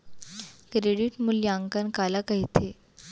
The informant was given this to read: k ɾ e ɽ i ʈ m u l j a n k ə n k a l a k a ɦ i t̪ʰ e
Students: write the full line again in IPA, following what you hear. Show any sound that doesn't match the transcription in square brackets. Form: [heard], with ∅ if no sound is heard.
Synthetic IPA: k ɾ e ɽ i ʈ m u l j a [ŋ] k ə n k a l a k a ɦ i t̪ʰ e